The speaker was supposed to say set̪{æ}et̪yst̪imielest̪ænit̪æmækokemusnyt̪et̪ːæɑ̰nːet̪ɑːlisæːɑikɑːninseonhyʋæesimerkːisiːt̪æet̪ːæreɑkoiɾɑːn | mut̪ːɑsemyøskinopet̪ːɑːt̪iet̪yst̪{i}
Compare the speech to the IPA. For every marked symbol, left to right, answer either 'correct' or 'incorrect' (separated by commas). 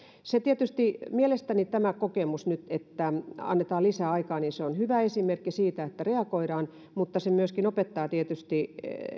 incorrect, correct